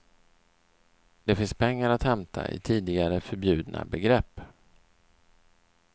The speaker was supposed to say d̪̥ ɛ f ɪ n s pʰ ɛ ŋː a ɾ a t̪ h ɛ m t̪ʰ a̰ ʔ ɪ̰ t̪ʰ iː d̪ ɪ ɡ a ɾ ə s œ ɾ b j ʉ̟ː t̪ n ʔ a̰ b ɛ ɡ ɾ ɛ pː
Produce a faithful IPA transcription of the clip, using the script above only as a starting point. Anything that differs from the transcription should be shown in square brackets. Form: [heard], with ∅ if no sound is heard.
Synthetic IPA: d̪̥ ɛ f ɪ n s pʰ ɛ ŋː a ɾ a t̪ h ɛ m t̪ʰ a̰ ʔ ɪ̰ t̪ʰ iː d̪ ɪ ɡ a ɾ ə [f] œ ɾ b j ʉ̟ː [d̪] n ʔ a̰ b ɛ ɡ ɾ ɛ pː

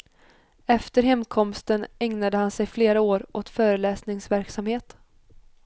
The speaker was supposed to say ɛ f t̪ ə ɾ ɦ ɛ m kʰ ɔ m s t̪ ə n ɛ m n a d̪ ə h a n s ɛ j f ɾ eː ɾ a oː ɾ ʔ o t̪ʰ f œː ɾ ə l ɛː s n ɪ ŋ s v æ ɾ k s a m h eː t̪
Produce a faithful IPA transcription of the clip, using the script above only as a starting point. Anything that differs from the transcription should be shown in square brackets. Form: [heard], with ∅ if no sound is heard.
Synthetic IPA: ɛ f t̪ ə ɾ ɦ ɛ m kʰ ɔ m s t̪ ə n ɛ [ŋ] n a d̪ ə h a n s ɛ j f [l] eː ɾ a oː ɾ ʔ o [t̪] f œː ɾ ə l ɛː s n ɪ ŋ s v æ ɾ k s a m h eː t̪

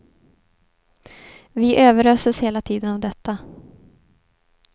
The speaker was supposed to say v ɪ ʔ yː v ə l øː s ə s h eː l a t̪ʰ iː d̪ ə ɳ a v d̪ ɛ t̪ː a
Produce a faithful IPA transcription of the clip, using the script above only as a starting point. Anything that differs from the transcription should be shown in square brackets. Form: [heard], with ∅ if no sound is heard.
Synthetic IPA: v ɪ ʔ [øː] v ə [ɾ] øː s ə s h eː l a t̪ʰ iː d̪ ə [n] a v d̪ ɛ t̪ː a

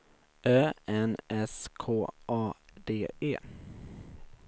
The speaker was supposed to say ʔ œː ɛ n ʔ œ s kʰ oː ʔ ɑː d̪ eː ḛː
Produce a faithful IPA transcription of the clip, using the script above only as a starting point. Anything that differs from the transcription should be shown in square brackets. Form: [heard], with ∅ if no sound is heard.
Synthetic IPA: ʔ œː ɛ n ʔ [ɛ] s kʰ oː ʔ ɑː d̪ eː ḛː

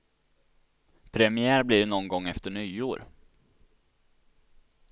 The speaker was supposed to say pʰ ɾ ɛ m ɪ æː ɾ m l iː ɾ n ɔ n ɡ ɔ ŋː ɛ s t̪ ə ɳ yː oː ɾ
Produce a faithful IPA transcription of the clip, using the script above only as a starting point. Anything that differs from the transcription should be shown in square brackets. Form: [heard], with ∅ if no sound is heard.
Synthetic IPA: pʰ ɾ ɛ m ɪ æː ɾ [b] l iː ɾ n ɔ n ɡ ɔ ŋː ɛ [f] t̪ ə ɳ yː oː ɾ

